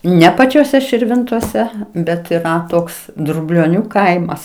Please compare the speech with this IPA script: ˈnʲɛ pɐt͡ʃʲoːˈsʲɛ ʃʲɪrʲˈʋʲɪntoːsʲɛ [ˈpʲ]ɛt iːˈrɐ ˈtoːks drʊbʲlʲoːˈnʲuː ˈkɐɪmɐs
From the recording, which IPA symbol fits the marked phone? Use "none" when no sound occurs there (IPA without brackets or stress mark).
bʲ